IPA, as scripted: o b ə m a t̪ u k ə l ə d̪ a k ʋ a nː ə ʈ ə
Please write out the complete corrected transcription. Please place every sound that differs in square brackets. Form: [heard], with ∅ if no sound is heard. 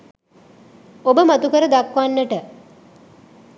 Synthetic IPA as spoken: o b ə m a t̪ u k ə [ɾ] ə d̪ a k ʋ a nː ə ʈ ə